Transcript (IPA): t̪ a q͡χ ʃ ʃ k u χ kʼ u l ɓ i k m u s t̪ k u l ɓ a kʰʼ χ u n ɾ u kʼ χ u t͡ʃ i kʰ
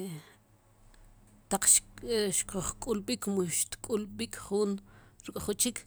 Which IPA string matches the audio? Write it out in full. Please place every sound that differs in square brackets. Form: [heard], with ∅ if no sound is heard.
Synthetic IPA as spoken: t̪ a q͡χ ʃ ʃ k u χ kʼ u l ɓ i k m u [ʃ] t̪ [kʼ] u l ɓ [i] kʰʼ χ u n ɾ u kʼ χ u t͡ʃ i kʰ